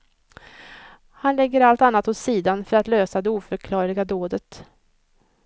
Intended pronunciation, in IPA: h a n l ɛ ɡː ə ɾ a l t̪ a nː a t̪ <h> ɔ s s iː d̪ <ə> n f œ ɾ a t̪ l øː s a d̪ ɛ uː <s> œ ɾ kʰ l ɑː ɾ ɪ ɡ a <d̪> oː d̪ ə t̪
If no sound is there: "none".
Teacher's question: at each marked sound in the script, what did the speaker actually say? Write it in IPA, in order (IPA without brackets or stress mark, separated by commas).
h, a, f, d̪